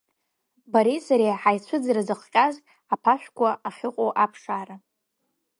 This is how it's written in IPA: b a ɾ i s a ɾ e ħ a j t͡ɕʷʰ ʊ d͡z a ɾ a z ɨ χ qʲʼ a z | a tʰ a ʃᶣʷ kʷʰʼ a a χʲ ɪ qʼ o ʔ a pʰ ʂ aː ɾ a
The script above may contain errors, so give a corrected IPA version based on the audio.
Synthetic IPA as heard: b a ɾ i s a ɾ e ħ a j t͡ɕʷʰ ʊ d͡z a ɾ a z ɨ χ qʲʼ a z | a pʰ a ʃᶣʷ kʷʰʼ a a χʲ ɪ qʼ o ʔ a pʰ ʂ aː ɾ a